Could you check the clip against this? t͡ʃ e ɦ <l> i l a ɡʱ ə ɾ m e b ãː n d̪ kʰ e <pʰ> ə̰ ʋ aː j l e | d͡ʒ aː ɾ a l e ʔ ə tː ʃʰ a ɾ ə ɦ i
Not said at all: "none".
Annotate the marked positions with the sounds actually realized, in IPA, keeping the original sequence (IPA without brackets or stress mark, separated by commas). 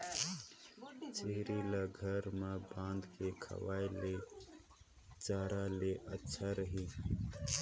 ɾ, kʰ